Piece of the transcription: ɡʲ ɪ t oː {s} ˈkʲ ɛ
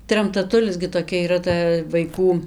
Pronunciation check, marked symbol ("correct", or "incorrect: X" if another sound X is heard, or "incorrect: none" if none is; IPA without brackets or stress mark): incorrect: none